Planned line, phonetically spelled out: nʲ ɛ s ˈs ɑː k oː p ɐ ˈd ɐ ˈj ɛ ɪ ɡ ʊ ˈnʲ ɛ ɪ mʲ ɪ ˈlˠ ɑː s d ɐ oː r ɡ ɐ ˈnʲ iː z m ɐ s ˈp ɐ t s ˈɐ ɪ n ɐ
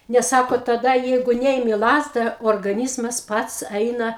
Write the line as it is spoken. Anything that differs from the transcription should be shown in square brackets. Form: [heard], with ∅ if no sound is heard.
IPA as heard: nʲ ɛ s ˈs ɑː k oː [t] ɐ ˈd ɐ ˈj ɛ ɪ ɡ ʊ ˈnʲ ɛ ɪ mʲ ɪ ˈlˠ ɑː [z] d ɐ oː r ɡ ɐ ˈnʲ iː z m ɐ s ˈp ɐ t s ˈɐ ɪ n ɐ